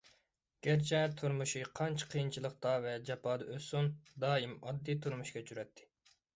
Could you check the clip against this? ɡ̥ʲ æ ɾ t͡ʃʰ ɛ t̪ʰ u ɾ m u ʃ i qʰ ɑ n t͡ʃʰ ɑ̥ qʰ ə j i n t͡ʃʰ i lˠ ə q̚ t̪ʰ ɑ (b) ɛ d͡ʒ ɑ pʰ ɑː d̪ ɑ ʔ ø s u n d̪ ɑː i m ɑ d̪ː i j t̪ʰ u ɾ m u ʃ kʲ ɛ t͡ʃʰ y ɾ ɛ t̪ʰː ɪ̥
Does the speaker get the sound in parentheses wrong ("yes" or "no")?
yes